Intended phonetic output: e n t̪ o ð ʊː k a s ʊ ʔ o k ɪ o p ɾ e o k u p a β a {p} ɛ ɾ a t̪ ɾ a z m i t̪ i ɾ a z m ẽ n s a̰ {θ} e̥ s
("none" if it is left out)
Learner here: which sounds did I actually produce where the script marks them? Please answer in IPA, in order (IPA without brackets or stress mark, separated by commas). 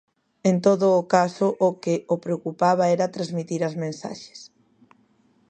none, ʃ